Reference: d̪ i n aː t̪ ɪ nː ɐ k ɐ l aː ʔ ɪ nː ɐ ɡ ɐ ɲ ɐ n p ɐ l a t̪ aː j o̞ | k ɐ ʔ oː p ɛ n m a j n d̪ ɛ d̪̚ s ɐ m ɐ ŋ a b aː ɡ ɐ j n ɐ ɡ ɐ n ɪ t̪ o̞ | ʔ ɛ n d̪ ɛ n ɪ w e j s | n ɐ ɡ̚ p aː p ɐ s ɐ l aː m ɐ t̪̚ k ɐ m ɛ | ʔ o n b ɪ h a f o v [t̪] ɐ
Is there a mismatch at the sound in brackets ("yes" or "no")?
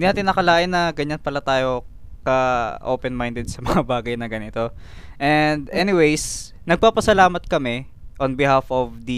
yes